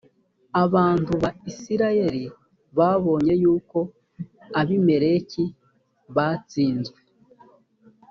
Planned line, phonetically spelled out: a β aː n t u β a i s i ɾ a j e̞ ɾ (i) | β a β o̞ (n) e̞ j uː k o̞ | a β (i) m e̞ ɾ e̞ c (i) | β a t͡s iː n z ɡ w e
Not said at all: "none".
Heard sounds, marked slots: i, ɲ, i, i

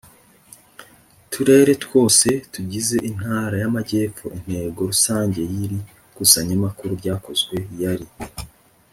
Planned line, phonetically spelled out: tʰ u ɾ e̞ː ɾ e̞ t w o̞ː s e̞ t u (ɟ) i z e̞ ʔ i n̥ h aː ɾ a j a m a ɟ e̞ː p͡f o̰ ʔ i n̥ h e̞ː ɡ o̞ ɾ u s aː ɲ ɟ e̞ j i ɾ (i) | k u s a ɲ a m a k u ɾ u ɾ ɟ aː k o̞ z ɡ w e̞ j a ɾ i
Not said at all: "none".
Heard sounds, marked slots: ɟ, i

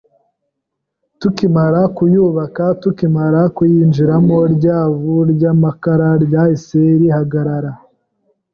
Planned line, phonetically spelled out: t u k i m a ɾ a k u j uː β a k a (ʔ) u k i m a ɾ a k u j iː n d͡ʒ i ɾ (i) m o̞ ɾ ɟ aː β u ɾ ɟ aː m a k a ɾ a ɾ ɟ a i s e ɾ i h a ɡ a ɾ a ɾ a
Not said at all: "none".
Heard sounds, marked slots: t, a

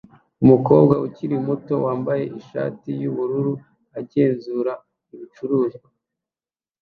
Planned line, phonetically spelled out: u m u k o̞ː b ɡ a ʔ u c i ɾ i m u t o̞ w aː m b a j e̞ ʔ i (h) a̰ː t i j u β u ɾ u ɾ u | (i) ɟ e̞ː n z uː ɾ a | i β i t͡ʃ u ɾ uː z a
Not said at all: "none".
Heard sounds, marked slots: ʃ, a

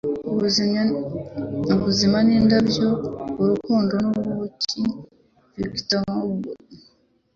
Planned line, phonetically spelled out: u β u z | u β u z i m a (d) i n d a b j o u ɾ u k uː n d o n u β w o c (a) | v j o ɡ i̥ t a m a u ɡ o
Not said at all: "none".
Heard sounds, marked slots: n, i

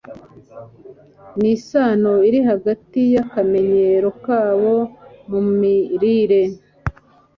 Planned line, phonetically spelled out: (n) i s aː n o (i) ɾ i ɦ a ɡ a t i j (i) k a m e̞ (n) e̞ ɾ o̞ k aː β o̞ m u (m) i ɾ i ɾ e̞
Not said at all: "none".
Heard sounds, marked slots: n, i, a, ɲ, m

